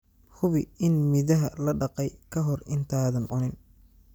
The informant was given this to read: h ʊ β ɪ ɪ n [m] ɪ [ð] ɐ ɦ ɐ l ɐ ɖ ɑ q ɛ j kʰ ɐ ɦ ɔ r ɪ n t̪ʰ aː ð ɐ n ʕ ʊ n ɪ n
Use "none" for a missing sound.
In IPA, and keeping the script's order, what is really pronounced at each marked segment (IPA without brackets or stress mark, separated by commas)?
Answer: m, ð